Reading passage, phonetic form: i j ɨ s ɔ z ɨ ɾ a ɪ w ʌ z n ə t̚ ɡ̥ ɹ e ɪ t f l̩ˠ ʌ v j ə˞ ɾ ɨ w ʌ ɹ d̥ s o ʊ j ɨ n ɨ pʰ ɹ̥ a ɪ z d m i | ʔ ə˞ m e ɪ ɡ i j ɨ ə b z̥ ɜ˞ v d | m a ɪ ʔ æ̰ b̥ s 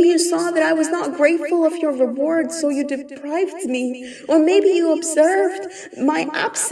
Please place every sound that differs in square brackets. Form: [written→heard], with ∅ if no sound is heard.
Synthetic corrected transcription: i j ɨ s ɔ [z→ð] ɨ ɾ a ɪ w ʌ z n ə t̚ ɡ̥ ɹ e ɪ t f l̩ˠ ʌ v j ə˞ [ɾ→ɹ] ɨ w [ʌ→ɔ] ɹ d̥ s o ʊ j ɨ [n→d] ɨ pʰ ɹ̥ a ɪ [z→v] d m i | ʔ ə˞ m e ɪ [ɡ→b] i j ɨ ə b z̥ ɜ˞ v d | m a ɪ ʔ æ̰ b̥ s

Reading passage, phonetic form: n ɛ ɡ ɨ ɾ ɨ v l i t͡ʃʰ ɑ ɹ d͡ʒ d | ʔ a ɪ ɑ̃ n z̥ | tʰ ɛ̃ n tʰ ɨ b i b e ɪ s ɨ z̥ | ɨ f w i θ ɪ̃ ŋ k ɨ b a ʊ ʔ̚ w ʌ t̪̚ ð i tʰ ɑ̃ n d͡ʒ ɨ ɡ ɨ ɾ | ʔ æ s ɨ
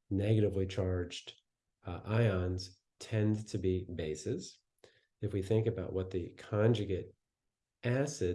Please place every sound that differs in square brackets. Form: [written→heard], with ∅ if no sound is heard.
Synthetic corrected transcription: n ɛ ɡ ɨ ɾ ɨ v l i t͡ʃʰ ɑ ɹ d͡ʒ d | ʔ a ɪ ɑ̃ n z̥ | tʰ ɛ̃ n tʰ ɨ b i b e ɪ s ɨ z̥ | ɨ f w i θ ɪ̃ ŋ k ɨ b a ʊ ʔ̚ w ʌ t̪̚ ð i [tʰ→kʰ] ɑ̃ n d͡ʒ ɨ ɡ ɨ ɾ | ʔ æ s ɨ

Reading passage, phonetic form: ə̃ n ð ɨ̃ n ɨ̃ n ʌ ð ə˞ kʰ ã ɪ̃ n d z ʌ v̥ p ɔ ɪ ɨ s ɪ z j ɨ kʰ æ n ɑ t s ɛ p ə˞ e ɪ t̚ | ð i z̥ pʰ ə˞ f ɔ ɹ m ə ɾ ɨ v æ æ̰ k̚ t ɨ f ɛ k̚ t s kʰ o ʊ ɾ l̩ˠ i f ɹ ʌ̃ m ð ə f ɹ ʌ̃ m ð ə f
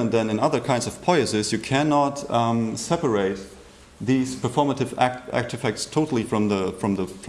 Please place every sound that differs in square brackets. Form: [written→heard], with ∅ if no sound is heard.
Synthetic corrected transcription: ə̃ n ð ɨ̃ n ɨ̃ n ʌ ð ə˞ kʰ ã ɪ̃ n d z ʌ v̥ [p→pʰ] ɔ ɪ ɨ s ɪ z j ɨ kʰ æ n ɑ t s ɛ p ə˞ e ɪ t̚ | ð i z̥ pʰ ə˞ f ɔ ɹ m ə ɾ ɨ v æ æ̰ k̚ t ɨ f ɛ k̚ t s [kʰ→tʰ] o ʊ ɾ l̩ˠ i f ɹ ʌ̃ m ð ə f ɹ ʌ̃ m ð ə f

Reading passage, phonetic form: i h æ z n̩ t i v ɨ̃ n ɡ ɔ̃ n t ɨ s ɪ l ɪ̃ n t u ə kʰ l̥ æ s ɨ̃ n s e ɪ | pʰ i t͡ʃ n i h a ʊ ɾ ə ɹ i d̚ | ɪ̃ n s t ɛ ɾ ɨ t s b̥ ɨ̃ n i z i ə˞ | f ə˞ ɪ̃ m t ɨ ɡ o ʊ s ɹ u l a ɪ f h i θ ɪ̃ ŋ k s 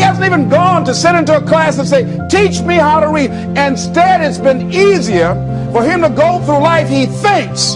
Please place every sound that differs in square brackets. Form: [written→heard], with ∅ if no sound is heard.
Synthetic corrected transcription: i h æ z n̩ t i v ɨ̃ n ɡ ɔ̃ n t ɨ s ɪ [l→ɾ] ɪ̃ n t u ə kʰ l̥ æ s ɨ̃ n s e ɪ | [pʰ→tʰ] i t͡ʃ [n→m] i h a ʊ ɾ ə ɹ i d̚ | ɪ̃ n s t ɛ ɾ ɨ t s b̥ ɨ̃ n i z i ə˞ | f ə˞ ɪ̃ m t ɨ ɡ o ʊ [s→θ] ɹ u l a ɪ f h i θ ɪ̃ ŋ k s

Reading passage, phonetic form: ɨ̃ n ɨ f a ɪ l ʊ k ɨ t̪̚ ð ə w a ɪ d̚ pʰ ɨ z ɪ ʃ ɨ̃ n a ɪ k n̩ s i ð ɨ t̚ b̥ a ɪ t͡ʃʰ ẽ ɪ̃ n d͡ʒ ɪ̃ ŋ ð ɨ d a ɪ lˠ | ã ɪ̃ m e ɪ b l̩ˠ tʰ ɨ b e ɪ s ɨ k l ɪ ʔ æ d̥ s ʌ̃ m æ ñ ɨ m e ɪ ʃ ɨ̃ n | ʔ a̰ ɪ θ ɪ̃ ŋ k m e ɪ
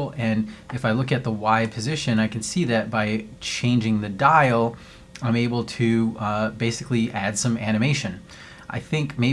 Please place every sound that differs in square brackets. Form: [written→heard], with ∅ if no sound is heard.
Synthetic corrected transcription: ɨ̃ n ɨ f a ɪ l ʊ k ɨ t̪̚ ð ə w a ɪ d̚ pʰ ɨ z ɪ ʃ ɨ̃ n a ɪ k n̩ s i ð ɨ t̚ b̥ a ɪ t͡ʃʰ ẽ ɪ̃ n d͡ʒ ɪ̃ ŋ ð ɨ d a ɪ lˠ | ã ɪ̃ m e ɪ b l̩ˠ tʰ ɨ b e ɪ s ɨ k l [ɪ→i] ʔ æ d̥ s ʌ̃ m æ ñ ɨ m e ɪ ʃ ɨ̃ n | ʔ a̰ ɪ θ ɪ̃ ŋ k m e ɪ

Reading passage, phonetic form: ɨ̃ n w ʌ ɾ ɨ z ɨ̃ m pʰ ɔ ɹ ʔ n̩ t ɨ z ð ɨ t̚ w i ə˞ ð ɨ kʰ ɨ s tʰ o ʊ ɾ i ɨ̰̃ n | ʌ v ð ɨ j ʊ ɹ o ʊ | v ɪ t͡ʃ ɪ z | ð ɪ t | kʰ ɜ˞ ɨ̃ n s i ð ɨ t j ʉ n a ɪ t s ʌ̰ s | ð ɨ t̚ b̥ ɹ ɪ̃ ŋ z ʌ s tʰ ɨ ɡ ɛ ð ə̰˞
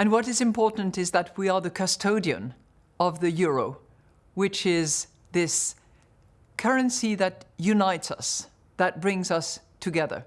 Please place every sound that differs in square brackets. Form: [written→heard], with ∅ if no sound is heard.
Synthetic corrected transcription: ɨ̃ n w ʌ ɾ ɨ z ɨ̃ m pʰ ɔ ɹ ʔ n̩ t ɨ z ð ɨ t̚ w i ə˞ ð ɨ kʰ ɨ s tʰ o ʊ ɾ i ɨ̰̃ n | ʌ v ð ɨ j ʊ ɹ o ʊ | [v→w] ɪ t͡ʃ ɪ z | ð ɪ [t→s] | kʰ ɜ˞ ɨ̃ n s i ð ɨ t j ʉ n a ɪ t s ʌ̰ s | ð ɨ t̚ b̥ ɹ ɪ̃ ŋ z ʌ s tʰ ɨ ɡ ɛ ð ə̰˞

